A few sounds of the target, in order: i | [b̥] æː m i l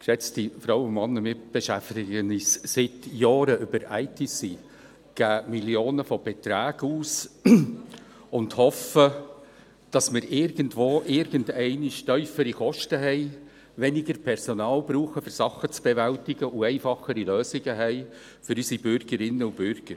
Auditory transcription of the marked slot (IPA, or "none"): ɡ̥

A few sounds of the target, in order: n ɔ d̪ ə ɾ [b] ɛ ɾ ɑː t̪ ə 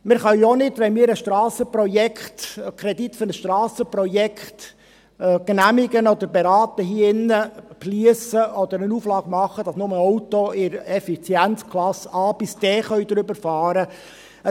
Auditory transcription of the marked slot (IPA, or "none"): b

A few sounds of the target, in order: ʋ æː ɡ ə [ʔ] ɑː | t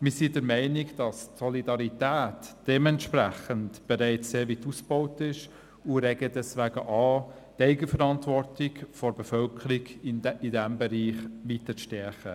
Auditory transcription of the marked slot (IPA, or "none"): ʔ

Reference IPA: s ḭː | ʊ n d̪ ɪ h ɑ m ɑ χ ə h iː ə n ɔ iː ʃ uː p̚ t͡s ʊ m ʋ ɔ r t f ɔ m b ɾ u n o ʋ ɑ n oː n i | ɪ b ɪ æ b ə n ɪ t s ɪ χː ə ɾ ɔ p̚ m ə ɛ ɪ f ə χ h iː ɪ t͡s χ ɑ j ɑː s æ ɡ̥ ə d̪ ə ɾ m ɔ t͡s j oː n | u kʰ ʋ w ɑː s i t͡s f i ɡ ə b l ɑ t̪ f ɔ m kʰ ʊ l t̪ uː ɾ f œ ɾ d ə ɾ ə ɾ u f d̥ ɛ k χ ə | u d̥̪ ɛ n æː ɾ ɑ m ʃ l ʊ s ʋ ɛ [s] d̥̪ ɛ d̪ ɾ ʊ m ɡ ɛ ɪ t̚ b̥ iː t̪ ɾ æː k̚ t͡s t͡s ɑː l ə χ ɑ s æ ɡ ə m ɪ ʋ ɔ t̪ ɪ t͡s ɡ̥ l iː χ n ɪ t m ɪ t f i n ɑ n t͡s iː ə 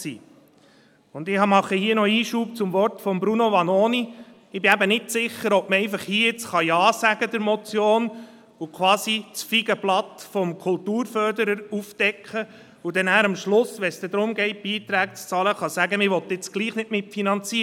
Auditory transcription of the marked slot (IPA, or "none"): s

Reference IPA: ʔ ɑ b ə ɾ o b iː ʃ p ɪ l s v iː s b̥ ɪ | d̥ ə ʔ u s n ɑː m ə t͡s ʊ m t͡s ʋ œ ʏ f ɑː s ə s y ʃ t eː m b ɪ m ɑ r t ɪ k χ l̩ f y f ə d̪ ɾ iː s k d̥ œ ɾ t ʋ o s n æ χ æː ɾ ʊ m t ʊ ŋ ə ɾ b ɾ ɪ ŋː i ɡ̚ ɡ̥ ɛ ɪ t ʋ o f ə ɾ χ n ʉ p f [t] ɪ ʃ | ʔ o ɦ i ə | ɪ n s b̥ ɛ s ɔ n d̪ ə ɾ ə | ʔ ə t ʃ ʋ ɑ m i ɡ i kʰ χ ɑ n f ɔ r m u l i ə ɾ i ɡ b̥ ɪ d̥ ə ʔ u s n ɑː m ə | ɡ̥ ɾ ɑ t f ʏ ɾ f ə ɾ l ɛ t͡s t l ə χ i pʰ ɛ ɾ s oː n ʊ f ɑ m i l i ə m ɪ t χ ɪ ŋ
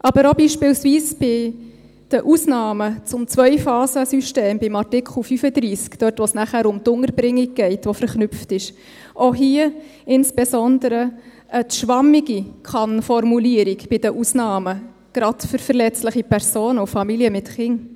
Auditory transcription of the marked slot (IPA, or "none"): t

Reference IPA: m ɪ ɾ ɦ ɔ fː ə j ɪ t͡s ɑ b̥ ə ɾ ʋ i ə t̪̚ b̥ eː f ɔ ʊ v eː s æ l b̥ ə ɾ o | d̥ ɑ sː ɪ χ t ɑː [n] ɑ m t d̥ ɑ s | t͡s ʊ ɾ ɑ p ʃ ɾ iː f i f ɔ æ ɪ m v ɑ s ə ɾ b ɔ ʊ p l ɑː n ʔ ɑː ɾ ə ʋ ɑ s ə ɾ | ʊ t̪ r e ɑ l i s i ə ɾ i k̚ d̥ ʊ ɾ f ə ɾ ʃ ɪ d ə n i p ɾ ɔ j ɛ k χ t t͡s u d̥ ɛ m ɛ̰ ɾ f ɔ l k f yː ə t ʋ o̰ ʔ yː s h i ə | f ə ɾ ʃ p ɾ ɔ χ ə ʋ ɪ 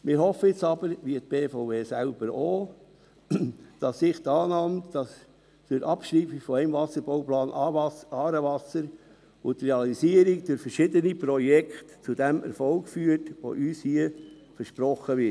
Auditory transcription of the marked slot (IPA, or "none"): n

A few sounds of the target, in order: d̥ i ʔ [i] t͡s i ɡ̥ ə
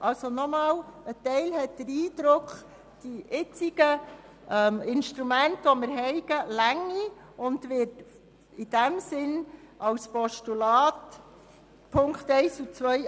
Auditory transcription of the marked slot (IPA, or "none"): ɪ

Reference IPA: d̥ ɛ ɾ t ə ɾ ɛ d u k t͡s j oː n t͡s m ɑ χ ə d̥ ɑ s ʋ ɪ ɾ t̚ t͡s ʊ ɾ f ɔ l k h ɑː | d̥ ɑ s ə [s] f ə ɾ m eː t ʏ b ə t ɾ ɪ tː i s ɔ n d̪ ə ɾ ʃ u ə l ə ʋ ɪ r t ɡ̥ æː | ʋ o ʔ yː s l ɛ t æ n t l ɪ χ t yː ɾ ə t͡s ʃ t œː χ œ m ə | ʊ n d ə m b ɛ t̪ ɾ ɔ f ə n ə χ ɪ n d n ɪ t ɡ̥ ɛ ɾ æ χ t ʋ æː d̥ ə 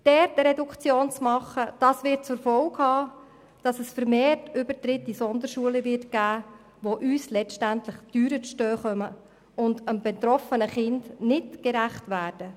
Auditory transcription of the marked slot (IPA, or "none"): s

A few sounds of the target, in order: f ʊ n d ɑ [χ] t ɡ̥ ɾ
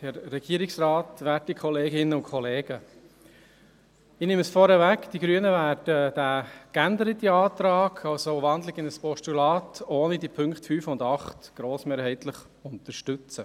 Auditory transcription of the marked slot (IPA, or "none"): χ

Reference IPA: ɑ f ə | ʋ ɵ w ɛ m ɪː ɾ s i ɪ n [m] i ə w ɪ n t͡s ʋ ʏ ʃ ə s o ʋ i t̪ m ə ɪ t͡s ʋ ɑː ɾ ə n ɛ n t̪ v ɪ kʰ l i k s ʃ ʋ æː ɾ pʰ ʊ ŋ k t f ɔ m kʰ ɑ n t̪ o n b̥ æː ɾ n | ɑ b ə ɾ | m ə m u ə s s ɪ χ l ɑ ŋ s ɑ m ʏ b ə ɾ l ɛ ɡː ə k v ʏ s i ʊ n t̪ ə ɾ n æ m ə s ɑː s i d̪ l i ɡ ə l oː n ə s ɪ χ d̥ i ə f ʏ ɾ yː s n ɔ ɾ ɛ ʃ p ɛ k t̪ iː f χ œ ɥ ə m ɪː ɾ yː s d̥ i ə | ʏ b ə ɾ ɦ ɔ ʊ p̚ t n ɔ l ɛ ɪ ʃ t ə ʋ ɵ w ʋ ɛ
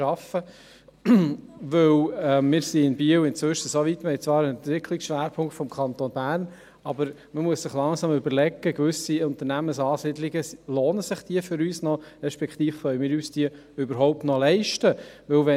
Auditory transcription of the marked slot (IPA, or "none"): b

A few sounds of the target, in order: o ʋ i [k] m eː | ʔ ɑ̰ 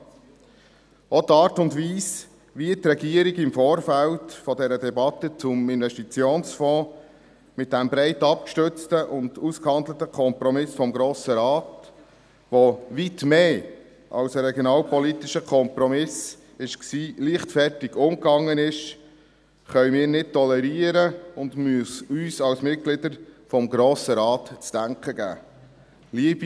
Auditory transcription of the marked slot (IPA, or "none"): t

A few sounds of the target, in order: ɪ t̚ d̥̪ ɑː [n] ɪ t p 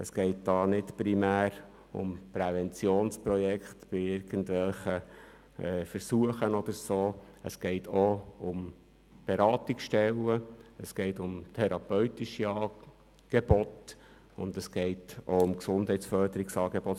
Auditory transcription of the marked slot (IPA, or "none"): n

